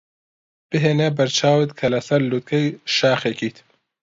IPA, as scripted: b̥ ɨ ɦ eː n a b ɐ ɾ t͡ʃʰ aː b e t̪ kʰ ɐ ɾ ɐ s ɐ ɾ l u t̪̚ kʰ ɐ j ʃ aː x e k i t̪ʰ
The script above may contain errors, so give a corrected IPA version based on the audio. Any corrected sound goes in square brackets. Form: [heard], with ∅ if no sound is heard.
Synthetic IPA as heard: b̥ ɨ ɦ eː n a b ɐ ɾ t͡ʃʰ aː [w] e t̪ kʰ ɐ [l] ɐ s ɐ ɾ l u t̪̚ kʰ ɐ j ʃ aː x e k i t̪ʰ